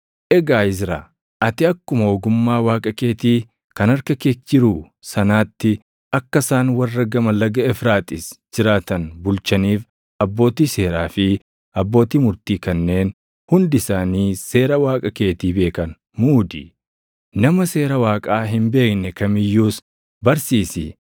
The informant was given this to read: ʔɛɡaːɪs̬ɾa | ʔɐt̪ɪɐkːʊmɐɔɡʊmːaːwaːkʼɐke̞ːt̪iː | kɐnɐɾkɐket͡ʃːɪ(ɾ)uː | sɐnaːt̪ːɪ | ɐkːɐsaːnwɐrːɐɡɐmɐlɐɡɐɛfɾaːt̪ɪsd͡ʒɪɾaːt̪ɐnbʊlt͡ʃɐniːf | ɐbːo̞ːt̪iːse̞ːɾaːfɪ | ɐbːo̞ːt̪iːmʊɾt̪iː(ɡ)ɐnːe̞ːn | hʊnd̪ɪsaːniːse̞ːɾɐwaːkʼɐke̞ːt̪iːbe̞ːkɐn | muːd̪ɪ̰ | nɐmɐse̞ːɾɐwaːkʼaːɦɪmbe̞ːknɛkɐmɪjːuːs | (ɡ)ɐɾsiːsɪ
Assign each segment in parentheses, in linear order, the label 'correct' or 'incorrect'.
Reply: correct, incorrect, incorrect

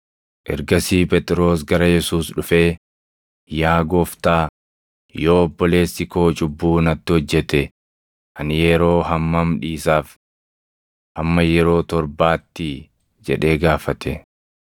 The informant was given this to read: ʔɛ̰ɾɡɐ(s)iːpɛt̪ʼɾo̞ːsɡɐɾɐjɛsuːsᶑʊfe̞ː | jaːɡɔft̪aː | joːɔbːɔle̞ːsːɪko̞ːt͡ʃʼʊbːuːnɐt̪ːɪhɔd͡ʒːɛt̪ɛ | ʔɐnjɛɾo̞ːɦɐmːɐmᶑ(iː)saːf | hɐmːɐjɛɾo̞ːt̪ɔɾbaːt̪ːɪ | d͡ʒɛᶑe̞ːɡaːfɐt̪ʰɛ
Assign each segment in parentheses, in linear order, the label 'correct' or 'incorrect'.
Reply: correct, correct

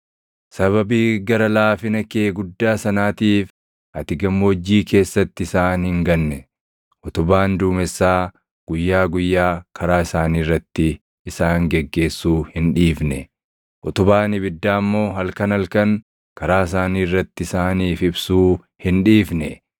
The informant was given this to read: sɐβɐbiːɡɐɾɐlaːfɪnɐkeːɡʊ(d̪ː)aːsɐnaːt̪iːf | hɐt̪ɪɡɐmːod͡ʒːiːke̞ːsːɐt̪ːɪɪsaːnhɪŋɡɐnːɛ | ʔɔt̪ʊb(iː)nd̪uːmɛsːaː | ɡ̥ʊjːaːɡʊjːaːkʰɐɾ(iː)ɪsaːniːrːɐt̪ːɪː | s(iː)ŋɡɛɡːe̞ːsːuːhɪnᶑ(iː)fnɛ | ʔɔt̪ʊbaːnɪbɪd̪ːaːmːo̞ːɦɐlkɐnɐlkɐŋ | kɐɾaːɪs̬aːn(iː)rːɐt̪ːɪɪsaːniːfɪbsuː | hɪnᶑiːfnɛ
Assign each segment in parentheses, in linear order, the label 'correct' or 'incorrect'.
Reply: correct, incorrect, incorrect, incorrect, correct, correct

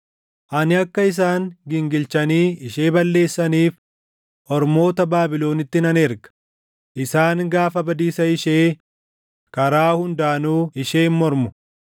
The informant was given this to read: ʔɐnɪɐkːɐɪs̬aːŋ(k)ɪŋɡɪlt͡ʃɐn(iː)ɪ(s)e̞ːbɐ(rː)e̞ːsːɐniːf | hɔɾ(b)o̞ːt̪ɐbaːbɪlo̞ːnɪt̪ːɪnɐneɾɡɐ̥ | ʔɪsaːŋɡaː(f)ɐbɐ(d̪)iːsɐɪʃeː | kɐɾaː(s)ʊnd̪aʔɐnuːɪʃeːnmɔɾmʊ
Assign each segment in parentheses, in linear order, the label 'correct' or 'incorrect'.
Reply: incorrect, correct, incorrect, incorrect, incorrect, correct, correct, incorrect

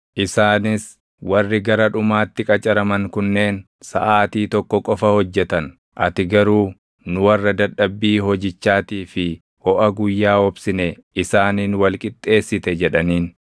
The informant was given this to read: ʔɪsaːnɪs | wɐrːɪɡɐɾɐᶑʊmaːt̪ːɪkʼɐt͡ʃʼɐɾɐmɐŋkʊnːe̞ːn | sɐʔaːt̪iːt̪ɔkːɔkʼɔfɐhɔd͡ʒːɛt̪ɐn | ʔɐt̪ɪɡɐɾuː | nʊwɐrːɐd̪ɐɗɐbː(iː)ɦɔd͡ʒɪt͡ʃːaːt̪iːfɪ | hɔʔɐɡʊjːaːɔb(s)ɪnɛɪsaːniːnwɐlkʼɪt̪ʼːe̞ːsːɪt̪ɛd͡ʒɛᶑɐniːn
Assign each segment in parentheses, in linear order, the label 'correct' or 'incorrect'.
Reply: correct, correct

